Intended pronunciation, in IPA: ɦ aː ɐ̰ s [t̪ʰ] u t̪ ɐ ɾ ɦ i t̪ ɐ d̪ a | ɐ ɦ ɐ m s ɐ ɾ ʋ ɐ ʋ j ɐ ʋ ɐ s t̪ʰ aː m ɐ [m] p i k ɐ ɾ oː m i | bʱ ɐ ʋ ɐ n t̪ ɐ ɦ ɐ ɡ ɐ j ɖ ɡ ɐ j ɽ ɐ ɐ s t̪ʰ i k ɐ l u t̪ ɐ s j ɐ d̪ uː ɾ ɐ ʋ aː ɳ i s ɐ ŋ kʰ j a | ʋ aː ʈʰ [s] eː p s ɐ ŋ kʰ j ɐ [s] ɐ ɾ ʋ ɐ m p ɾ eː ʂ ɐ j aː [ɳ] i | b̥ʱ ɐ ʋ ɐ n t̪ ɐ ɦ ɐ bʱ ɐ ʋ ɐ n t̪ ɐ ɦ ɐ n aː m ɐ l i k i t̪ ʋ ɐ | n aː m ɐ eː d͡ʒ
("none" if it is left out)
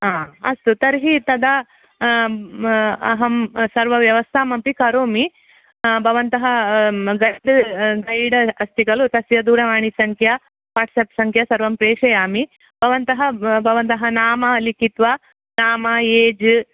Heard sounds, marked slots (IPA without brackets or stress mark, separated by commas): t̪, m, s, s, m